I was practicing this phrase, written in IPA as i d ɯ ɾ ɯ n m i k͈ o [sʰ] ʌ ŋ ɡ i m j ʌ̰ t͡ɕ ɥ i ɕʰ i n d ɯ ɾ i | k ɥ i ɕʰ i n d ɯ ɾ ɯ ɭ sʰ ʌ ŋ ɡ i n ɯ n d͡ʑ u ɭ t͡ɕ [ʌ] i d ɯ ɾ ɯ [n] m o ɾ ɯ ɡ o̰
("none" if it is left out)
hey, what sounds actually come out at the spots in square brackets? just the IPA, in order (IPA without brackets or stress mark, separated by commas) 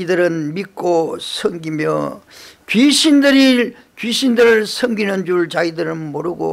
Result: sʰ, a, n